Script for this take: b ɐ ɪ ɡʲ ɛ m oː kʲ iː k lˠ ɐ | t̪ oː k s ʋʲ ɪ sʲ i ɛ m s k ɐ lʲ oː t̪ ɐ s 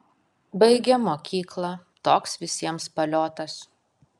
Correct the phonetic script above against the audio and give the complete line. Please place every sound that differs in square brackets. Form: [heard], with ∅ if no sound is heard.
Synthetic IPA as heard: b ɐ ɪ ɡʲ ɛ m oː kʲ iː k lˠ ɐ | t̪ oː k s ʋʲ ɪ sʲ i ɛ m s [p] ɐ lʲ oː t̪ ɐ s